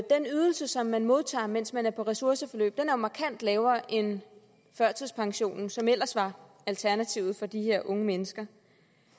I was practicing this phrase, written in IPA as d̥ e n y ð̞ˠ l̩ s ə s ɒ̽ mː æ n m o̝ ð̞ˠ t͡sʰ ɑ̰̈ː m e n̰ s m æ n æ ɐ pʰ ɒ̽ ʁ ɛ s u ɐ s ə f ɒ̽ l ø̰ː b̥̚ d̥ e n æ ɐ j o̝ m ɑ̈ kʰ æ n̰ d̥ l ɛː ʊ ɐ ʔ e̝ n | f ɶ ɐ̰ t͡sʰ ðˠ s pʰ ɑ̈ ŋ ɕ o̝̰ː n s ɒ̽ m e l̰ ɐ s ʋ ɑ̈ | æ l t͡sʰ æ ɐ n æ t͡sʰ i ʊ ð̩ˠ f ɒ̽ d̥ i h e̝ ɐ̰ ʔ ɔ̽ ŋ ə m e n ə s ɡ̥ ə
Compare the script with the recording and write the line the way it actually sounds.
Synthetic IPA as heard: d̥ e n y ð̞ˠ l̩ s ə s ɒ̽ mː æ n m o̝ ð̞ˠ t͡sʰ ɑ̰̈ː m e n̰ s m æ n æ ɐ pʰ ɒ̽ ʁ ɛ s u ɐ s ə f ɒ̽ l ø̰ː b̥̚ d̥ e n æ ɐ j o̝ m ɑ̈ kʰ æ n̰ d̥ l ɛː ʊ ɐ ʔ e̝ n | f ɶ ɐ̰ t͡sʰ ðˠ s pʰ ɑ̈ ŋ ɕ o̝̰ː n s ɒ̽ m e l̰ ɐ s ʋ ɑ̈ | æ l t͡sʰ æ ɐ n æ t͡sʰ i ʊ ð̩ˠ f ɒ̽ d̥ i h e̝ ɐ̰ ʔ ɔ̽ ŋ ə m e n ə s ɡ̥ ɐ

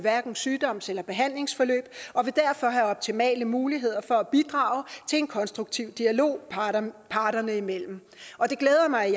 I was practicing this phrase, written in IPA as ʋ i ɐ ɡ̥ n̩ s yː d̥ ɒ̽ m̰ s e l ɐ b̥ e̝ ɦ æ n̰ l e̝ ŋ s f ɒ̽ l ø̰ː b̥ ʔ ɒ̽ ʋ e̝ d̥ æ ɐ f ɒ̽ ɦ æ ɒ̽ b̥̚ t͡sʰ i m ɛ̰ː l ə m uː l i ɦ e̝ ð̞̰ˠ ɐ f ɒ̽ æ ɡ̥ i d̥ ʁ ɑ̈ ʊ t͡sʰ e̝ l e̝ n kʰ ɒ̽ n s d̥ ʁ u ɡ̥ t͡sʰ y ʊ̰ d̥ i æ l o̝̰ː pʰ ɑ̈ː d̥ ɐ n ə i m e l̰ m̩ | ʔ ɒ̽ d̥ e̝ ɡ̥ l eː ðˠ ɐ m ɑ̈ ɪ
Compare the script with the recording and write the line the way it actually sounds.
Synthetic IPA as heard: ʋ æ ɐ ɡ̥ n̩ s yː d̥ ɒ̽ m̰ s e l ɐ b̥ e̝ ɦ æ n̰ l e̝ ŋ s f ɒ̽ l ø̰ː b̥ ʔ ɒ̽ ʋ e̝ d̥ æ ɐ f ɒ̽ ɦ æ ɒ̽ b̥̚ t͡sʰ i m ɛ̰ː l ə m uː l i ɦ e̝ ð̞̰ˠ ɐ f ɒ̽ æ b̥ i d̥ ʁ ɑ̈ ʊ t͡sʰ e̝ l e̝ n kʰ ɒ̽ n s d̥ ʁ u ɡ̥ t͡sʰ i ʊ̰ d̥ i æ l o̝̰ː pʰ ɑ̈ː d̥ ɐ n ə i m e l̰ m̩ | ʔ ɒ̽ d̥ e̝ ɡ̥ l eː ðˠ ɐ m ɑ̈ ɪ

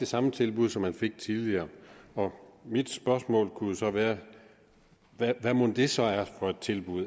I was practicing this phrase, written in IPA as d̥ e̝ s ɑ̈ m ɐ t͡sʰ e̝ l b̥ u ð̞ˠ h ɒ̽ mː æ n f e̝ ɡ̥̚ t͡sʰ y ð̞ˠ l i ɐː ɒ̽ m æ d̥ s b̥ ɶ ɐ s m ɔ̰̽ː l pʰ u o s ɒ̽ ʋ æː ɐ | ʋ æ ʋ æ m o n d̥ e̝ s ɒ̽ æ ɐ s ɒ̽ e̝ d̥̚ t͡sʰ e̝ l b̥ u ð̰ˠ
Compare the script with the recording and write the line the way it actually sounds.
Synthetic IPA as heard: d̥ e̝ s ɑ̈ m ə t͡sʰ e̝ l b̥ u ð̞ˠ s ɒ̽ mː æ n f e̝ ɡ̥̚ t͡sʰ i ð̞ˠ l i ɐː ɒ̽ m i d̥ s b̥ ɶ ɐ s m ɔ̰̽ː l kʰ u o s ɒ̽ ʋ æː ɐ | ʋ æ ʋ æ m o n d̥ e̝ s ɒ̽ æ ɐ f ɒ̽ e̝ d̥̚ t͡sʰ e̝ l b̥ u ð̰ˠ

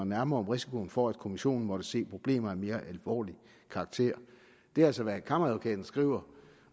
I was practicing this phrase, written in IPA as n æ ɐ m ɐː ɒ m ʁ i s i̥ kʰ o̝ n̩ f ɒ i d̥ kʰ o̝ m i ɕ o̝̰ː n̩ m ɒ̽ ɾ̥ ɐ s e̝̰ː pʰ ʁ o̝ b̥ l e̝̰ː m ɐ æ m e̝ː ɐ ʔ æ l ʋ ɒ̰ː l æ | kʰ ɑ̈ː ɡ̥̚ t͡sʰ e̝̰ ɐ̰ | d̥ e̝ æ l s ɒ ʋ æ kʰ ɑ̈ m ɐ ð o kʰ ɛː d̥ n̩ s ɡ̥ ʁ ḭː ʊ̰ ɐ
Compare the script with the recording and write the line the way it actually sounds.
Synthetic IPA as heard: n æ ɐ m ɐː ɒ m ʁ i s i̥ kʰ o̝ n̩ f ɒ æ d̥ kʰ o̝ m i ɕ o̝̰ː n̩ m ɒ̽ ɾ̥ ə s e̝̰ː pʰ ʁ o̝ b̥ l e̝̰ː m ɐ æ m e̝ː ɐ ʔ æ l ʋ ɒ̰ː l i | kʰ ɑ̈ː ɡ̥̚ t͡sʰ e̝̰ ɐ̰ | d̥ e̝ æ l s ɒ ʋ æ kʰ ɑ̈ m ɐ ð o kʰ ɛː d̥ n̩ s ɡ̥ ʁ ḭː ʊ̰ ɐ

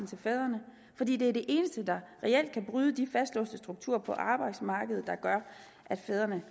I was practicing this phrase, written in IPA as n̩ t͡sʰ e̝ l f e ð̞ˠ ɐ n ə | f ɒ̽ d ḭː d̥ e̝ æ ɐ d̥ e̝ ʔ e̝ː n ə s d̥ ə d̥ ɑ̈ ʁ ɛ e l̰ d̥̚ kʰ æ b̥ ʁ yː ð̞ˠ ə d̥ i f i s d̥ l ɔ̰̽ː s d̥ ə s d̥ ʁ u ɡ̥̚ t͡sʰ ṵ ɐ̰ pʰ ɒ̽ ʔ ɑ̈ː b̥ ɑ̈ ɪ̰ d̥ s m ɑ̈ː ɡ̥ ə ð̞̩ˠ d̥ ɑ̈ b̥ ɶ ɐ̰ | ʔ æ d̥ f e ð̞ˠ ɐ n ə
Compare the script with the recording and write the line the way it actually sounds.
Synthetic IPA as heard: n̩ t͡sʰ e̝ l f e ð̞ˠ ɐ n ə | f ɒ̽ d ḭː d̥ e̝ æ ɐ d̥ e̝ ʔ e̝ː n ə s d̥ ə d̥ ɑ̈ ʁ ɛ e l̰ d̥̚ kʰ æ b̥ ʁ yː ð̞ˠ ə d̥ i f æ s d̥ l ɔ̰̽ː s d̥ ə s d̥ ʁ u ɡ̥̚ t͡sʰ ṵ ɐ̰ pʰ ɒ̽ ʔ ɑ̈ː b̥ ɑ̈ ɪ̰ d̥ s m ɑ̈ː ɡ̥ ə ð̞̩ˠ d̥ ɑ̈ ɡ̥ ɶ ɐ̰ | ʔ æ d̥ f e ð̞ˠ ɐ n ə

